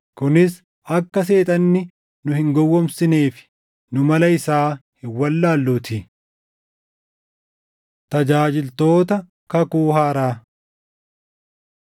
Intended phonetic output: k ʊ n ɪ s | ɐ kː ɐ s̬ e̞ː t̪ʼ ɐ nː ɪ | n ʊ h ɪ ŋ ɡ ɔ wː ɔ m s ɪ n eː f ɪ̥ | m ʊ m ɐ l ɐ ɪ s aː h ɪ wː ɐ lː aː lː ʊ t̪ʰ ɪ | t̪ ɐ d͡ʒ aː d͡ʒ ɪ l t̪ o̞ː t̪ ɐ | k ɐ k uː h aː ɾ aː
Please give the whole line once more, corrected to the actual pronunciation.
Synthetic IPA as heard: k ʊ n ɪ s | ɐ kː ɐ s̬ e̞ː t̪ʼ ɐ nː ɪ | n ʊ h ɪ ŋ ɡ ɔ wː ɔ m s ɪ n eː f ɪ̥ | n ʊ m ɐ l ɐ ɪ s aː h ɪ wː ɐ lː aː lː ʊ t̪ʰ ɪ | t̪ ɐ d͡ʒ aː d͡ʒ ɪ l t̪ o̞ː t̪ ɐ | k ɐ k uː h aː ɾ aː